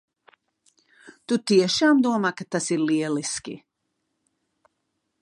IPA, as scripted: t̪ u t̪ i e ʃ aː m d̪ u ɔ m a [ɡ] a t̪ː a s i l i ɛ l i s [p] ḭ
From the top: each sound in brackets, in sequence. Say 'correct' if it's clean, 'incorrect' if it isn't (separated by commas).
incorrect, incorrect